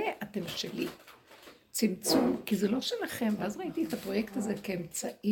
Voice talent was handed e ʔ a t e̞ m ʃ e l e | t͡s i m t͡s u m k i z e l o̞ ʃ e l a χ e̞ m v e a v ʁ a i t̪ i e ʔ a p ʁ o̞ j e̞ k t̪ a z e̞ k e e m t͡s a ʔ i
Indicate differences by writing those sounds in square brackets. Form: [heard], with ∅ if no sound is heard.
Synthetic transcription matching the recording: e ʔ a t e̞ m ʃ e l [i] | t͡s i m t͡s u m k i z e l o̞ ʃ e l a χ e̞ m v e a [z] ʁ a i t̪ i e [t] a p ʁ o̞ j e̞ k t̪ a z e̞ k e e m t͡s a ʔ i